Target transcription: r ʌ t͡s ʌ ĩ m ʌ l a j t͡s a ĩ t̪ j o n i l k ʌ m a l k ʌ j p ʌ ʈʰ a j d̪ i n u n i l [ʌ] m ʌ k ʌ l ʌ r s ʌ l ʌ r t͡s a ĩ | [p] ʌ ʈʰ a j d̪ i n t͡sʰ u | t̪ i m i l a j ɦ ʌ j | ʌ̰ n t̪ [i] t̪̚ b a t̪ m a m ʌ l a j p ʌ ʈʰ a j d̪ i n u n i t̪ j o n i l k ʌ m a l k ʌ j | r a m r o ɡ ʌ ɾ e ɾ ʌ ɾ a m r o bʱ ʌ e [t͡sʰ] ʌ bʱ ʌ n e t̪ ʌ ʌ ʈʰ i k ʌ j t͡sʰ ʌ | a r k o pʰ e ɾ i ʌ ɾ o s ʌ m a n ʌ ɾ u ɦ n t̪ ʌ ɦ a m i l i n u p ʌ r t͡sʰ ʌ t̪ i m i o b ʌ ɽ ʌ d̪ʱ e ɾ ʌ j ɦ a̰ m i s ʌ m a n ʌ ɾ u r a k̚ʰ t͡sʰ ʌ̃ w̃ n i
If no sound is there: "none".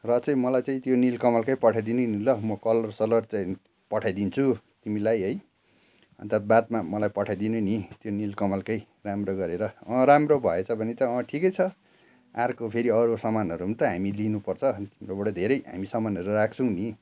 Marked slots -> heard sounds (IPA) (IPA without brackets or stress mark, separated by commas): ʌ, p, a, t͡sʰ